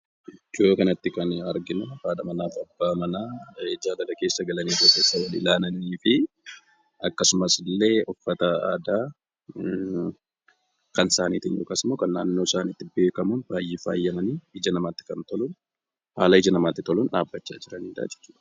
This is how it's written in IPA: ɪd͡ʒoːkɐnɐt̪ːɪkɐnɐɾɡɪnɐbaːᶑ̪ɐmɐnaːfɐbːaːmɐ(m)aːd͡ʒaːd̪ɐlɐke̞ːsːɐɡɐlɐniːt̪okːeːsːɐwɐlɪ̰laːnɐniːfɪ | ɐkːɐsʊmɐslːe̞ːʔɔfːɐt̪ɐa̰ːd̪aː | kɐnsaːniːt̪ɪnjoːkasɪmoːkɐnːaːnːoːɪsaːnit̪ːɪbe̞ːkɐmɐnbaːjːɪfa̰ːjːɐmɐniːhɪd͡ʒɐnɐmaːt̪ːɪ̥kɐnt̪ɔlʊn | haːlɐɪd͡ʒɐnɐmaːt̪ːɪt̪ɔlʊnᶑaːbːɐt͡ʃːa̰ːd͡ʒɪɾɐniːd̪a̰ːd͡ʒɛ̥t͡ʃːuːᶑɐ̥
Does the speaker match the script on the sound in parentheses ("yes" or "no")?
no